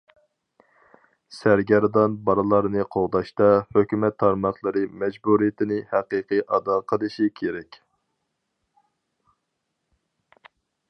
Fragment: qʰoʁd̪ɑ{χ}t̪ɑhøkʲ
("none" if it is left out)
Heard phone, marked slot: ʃ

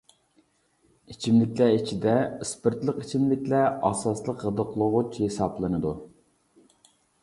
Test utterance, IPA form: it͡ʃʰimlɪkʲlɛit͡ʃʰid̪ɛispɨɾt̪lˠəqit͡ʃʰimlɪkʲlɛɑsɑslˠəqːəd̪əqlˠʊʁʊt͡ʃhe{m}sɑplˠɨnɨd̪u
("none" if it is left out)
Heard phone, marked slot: none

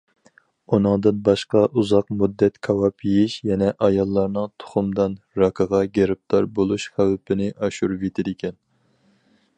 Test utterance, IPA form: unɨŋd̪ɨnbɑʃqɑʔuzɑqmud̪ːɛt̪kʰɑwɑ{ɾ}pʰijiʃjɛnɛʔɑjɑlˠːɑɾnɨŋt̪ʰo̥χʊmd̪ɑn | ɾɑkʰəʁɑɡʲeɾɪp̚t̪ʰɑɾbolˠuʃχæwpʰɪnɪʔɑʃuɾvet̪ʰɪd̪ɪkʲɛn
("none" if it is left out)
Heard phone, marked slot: none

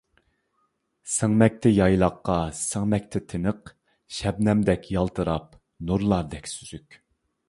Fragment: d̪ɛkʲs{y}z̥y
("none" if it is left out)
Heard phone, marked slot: y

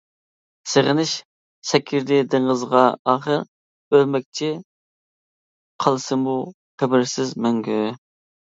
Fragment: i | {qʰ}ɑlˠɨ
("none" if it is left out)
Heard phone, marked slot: qʰ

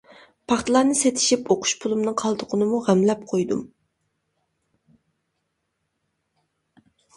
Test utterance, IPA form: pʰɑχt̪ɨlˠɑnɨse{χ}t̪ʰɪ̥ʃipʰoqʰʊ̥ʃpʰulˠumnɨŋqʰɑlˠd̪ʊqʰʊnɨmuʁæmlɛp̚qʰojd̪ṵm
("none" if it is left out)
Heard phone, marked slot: none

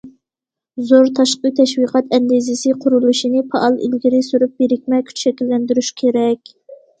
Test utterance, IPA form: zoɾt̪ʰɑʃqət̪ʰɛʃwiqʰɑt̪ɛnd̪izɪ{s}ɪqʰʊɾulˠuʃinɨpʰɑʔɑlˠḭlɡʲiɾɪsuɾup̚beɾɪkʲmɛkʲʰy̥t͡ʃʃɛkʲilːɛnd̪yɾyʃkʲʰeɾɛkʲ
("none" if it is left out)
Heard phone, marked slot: s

